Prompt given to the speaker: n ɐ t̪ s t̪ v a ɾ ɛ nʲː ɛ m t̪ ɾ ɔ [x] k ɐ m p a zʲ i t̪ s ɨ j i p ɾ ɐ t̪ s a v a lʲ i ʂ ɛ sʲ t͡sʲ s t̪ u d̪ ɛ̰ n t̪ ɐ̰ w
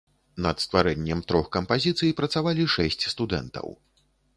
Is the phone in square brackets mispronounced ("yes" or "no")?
no